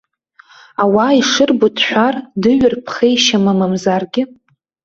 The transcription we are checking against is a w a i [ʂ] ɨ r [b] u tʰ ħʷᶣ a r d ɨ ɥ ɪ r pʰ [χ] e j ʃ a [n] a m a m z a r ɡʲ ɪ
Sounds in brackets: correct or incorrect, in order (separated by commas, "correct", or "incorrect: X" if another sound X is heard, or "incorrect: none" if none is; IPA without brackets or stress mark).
correct, correct, correct, incorrect: m